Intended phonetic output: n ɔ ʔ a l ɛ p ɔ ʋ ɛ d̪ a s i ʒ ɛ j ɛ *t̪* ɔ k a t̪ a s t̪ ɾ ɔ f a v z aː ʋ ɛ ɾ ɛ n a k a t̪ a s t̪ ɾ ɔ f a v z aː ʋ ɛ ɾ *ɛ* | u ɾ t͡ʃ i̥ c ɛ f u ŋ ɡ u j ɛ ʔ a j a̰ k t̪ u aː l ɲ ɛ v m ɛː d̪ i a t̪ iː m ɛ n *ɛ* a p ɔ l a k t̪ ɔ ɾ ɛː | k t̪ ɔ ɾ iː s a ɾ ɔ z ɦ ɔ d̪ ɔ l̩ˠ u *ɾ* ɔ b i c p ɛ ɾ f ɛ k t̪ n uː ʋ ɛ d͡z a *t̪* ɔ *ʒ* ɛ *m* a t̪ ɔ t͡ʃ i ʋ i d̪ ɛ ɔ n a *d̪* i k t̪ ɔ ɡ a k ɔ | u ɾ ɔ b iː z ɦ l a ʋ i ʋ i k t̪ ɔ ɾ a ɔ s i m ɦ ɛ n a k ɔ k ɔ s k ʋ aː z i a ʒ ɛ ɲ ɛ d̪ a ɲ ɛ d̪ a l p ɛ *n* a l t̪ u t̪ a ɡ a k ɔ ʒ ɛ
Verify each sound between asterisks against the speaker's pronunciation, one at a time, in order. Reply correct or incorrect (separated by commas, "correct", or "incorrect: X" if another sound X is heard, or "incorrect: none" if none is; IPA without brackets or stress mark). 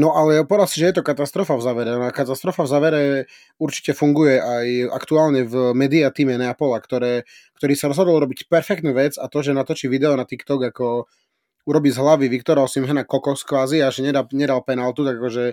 correct, correct, correct, correct, correct, correct, incorrect: n, incorrect: t̪, correct